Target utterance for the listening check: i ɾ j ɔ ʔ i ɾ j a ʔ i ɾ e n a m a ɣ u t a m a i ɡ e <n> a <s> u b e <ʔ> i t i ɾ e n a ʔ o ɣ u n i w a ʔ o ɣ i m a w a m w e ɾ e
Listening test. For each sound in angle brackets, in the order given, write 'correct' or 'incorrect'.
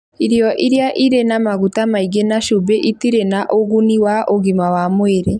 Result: correct, incorrect, correct

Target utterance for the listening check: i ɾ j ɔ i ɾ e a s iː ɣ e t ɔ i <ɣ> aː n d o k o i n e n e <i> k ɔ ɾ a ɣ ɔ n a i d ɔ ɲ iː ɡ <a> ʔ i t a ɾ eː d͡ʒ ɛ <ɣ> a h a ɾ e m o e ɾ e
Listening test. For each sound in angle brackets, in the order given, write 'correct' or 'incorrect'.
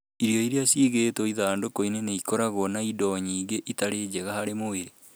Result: incorrect, correct, incorrect, correct

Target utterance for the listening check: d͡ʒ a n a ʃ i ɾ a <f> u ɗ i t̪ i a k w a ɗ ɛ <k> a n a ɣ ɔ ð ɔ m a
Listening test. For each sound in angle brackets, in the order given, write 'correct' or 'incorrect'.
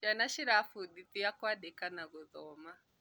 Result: correct, correct

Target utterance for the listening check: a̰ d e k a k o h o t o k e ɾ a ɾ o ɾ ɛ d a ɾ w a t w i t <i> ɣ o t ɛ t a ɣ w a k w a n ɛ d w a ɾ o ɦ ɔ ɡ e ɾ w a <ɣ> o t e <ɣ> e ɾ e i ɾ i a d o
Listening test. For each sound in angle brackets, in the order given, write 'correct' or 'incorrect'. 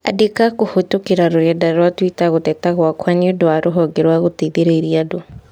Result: incorrect, correct, incorrect

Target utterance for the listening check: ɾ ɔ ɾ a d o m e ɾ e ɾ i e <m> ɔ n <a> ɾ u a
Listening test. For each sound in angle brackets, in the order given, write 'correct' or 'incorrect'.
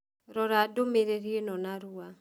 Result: incorrect, correct

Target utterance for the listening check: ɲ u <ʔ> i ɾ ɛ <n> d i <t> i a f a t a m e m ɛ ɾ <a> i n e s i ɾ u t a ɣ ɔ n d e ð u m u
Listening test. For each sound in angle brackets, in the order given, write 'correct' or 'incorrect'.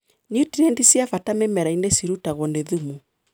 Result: incorrect, correct, incorrect, correct

